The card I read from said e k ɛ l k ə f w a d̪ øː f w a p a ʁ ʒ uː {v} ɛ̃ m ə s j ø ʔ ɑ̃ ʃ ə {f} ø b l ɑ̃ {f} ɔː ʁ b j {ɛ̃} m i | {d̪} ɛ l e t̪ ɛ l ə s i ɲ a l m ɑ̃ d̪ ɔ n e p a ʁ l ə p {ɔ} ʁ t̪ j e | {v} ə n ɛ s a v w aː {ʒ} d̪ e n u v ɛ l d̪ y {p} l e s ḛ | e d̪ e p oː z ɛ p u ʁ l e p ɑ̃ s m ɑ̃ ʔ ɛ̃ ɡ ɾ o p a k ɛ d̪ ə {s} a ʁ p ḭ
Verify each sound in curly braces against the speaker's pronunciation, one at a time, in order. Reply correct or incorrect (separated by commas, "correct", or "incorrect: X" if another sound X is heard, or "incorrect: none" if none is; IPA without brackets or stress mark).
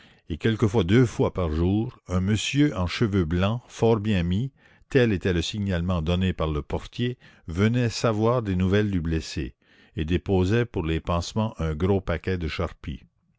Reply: incorrect: ʁ, incorrect: v, correct, correct, incorrect: t̪, correct, correct, incorrect: ʁ, incorrect: b, incorrect: ʃ